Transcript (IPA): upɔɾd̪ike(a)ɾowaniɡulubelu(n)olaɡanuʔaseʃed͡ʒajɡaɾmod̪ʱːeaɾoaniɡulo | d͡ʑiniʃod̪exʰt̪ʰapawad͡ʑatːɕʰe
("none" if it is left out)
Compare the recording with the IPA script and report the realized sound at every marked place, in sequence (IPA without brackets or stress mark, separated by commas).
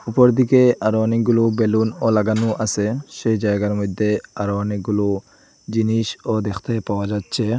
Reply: a, n